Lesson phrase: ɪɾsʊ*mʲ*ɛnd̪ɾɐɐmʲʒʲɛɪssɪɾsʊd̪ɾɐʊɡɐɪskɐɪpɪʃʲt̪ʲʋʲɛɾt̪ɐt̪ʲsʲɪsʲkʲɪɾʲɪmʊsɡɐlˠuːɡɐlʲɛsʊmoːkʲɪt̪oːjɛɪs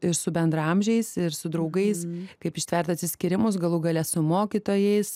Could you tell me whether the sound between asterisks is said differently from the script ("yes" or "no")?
yes